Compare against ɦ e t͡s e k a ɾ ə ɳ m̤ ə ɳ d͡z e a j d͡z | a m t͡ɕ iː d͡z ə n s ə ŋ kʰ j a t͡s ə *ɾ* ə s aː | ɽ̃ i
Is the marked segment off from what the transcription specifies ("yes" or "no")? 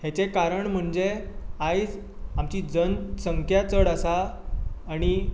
yes